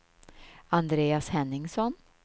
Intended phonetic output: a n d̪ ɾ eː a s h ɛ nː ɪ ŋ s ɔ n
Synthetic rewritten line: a n d̪ ɾ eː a s h ɛ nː ɪ ŋ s ɔ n